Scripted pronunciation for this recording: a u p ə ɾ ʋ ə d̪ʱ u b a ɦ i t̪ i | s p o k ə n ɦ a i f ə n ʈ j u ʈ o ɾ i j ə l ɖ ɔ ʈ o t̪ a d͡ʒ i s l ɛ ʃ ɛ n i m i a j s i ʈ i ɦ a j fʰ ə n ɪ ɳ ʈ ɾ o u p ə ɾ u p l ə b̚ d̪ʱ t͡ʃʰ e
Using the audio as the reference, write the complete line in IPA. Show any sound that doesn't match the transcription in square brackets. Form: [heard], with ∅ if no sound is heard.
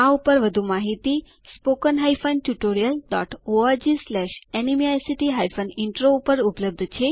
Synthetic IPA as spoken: a u p ə ɾ ʋ ə d̪ʱ u [m] a ɦ i t̪ i | s p o k ə n ɦ a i f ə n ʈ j u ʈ o ɾ i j ə l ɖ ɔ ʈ o [∅] a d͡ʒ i s l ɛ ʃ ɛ n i m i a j s i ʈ i ɦ a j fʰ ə n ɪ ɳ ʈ ɾ o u p ə ɾ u p l ə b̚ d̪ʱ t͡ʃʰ e